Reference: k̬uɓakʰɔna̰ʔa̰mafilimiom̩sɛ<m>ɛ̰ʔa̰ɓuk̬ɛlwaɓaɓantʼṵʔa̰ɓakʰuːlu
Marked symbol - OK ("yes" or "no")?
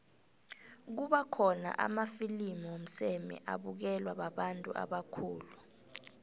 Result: yes